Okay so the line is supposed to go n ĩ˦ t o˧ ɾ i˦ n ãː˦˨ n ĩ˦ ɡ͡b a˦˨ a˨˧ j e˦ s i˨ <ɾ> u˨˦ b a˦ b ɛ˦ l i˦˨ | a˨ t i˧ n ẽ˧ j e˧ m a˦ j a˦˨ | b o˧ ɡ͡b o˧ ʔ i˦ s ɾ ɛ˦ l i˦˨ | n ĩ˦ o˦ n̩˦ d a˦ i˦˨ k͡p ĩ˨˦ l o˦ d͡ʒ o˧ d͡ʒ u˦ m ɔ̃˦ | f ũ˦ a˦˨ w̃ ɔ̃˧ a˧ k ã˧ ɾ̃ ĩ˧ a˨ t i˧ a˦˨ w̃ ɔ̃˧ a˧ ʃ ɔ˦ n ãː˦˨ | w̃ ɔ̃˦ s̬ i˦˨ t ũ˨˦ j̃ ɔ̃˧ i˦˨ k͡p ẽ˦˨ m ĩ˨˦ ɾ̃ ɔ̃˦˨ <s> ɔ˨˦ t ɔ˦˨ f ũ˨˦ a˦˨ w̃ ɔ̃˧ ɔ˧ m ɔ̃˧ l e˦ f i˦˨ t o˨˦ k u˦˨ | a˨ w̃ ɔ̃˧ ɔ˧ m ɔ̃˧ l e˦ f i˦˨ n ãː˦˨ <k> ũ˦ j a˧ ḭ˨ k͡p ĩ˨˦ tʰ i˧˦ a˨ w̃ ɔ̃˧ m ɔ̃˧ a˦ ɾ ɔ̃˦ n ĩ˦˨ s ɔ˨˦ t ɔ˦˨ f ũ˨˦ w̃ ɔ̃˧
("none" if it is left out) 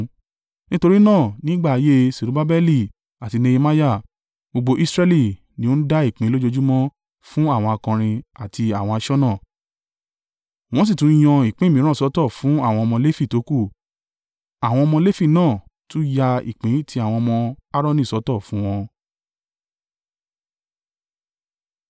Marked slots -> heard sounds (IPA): ɾ, s, t

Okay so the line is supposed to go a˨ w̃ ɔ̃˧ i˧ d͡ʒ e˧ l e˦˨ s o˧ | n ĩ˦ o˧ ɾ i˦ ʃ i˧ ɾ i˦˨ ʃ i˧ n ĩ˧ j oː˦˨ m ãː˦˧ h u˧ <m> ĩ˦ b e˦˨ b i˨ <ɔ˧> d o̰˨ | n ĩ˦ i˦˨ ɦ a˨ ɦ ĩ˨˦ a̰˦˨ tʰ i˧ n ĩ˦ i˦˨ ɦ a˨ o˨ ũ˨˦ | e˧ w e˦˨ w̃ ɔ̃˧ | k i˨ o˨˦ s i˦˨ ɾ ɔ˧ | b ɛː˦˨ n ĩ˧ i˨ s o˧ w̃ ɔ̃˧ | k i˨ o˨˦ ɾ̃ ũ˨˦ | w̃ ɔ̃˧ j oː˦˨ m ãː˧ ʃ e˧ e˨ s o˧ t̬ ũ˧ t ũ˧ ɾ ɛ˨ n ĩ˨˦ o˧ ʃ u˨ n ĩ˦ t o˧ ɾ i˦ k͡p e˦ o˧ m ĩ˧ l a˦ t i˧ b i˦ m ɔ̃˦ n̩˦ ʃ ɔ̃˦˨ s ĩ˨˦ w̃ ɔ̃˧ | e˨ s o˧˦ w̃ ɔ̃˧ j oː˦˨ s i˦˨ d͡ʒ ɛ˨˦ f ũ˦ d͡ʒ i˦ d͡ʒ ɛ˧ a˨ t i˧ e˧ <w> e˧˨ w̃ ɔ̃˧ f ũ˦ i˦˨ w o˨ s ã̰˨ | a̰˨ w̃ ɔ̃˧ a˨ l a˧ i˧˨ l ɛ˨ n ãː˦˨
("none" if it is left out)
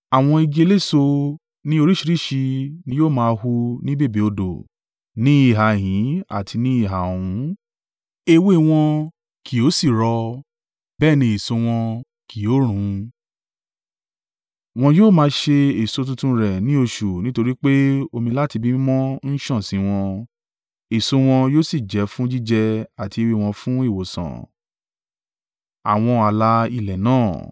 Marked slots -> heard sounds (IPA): n, o˧, w

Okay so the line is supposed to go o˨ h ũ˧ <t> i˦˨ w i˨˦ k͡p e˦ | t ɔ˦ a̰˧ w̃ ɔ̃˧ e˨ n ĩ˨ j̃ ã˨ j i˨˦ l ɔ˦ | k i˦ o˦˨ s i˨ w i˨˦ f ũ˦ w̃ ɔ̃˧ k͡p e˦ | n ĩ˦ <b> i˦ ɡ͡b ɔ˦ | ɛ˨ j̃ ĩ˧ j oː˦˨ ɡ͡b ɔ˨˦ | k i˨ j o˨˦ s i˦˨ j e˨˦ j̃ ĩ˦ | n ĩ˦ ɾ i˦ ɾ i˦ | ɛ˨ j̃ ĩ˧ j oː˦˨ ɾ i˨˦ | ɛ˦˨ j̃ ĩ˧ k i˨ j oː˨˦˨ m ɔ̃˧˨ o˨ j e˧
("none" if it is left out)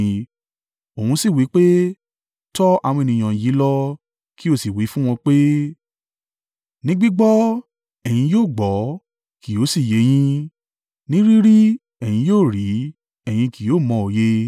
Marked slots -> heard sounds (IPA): s, ɡ͡b

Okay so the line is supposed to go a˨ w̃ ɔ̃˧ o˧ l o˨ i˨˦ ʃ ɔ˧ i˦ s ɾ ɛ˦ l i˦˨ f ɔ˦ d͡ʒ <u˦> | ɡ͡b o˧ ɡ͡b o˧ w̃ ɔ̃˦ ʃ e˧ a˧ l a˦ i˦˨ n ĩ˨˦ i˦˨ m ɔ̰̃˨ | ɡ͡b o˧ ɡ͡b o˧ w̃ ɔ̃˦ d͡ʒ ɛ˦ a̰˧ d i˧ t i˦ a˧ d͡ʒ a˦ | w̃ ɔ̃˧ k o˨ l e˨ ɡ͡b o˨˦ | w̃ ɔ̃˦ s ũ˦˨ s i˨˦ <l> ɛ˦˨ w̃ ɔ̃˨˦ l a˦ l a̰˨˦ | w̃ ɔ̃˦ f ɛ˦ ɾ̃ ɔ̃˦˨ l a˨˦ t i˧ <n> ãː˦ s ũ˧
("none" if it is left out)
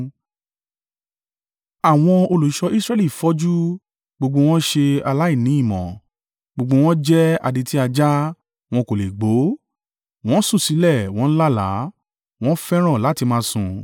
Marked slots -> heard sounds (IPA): u˦, l, m

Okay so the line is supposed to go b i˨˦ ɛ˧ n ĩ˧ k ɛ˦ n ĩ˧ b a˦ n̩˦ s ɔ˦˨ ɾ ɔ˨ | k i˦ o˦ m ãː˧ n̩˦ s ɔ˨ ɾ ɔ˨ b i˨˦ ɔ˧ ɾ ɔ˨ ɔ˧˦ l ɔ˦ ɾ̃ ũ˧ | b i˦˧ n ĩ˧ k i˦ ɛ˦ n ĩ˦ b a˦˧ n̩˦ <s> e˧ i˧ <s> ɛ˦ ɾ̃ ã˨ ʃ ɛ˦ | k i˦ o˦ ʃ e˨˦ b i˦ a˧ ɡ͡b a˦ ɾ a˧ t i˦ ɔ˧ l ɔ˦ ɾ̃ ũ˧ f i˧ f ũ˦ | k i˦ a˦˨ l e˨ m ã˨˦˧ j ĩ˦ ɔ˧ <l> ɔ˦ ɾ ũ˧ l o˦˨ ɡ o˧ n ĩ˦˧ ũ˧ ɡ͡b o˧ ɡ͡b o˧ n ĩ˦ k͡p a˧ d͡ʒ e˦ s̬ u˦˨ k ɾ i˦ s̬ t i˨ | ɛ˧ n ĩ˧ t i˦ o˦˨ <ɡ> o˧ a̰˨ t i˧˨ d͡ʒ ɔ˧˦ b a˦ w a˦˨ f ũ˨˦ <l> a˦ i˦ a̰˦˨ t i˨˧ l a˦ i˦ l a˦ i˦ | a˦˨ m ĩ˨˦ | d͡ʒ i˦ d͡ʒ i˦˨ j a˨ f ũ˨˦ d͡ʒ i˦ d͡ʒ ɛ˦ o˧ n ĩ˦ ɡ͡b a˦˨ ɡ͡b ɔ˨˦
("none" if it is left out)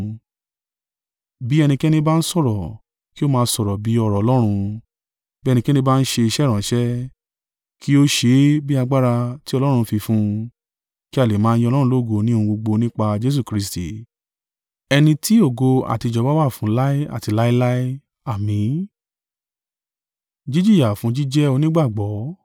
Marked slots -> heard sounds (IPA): ʃ, ʃ, l, ɡ, l

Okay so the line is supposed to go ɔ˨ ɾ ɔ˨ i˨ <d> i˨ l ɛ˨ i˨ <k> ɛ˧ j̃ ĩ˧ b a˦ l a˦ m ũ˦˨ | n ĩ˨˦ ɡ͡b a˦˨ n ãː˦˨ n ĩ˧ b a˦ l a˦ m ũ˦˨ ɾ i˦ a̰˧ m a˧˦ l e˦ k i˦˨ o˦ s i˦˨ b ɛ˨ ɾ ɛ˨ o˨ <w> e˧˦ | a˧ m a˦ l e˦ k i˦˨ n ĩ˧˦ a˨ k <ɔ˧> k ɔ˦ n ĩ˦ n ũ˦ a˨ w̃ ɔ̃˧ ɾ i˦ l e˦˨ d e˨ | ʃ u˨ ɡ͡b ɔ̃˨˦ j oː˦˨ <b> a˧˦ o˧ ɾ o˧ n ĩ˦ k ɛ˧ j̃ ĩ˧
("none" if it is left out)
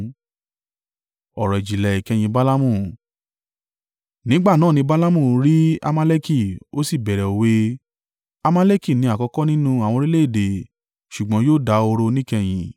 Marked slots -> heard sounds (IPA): d͡ʒ, k, w, ɔ˧, d

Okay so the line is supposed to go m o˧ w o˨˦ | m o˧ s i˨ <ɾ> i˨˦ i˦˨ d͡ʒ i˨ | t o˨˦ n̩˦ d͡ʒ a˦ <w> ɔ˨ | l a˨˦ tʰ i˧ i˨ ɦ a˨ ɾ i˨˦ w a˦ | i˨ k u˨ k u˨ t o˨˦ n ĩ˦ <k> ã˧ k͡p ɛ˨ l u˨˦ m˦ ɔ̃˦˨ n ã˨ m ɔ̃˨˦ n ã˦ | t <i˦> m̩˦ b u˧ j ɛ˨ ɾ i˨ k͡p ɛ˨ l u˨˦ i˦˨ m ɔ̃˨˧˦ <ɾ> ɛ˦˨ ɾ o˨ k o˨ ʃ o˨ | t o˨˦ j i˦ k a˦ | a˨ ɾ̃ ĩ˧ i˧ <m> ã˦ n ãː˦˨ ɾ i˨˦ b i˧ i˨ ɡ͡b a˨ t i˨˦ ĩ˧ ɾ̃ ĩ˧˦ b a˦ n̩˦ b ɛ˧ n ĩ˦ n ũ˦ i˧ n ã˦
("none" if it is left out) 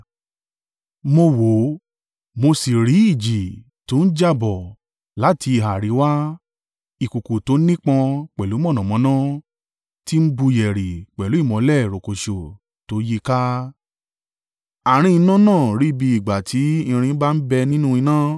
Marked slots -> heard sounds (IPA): ɾ, b, k͡p, i˦, l, n

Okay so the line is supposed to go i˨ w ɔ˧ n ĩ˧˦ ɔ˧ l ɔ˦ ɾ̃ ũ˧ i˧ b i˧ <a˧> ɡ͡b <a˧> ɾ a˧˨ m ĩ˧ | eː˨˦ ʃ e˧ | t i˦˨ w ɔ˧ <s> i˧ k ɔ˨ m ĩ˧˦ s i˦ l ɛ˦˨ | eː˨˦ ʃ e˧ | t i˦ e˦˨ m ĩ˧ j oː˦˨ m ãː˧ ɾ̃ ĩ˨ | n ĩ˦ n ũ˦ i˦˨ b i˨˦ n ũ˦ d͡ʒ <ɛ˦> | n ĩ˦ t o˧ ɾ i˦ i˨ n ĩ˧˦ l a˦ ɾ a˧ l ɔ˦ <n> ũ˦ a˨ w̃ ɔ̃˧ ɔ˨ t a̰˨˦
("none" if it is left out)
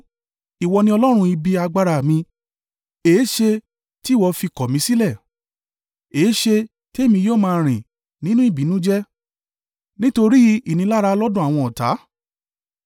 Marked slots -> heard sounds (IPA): a˧, a˧, f, ɛ˦, d

